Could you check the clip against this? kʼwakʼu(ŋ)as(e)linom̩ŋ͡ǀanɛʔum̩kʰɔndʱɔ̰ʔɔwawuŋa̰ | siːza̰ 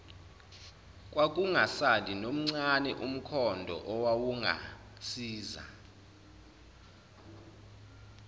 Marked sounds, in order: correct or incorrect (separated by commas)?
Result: correct, incorrect